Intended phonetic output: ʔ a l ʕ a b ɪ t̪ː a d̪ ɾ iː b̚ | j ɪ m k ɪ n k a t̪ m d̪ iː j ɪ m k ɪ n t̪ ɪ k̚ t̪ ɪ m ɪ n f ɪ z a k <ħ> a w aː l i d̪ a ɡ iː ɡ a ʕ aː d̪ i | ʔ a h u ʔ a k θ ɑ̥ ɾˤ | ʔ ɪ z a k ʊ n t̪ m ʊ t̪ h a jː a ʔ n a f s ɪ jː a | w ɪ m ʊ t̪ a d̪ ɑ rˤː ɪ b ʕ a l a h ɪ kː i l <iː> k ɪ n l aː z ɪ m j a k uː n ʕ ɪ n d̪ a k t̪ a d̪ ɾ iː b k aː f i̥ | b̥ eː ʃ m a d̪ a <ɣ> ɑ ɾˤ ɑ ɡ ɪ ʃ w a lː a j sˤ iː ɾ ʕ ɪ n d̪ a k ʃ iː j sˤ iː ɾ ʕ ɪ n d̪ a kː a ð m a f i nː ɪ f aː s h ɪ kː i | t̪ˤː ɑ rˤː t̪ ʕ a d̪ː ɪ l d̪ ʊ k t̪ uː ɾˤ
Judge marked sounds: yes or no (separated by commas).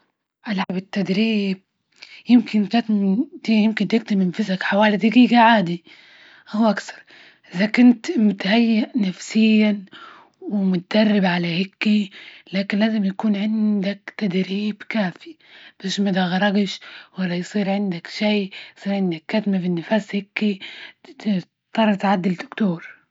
yes, no, yes